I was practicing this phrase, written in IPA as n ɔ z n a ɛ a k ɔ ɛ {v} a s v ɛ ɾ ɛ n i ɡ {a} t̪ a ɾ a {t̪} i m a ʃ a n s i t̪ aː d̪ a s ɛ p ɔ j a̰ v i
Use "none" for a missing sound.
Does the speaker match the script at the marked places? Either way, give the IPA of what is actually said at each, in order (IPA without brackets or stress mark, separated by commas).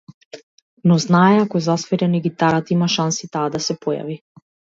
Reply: z, i, t̪